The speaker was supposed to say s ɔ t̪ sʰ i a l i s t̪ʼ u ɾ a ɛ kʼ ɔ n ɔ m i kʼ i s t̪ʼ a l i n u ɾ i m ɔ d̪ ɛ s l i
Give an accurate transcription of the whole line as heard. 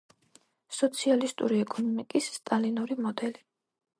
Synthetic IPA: s ɔ t̪ sʰ i a l i s t̪ʼ u ɾ i ɛ kʼ ɔ n ɔ m i kʼ i sː t̪ʼ a l i n u ɾ i m ɔ d̪ ɛ l i